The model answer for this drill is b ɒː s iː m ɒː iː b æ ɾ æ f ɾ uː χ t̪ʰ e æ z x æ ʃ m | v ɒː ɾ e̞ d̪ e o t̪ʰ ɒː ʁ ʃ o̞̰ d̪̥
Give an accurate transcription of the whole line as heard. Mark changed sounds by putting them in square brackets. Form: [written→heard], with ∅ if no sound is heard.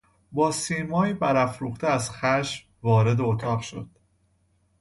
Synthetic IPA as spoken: b ɒː s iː m ɒː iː b æ ɾ æ f ɾ uː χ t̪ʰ e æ z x æ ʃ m | v ɒː ɾ e̞ d̪ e o t̪ʰ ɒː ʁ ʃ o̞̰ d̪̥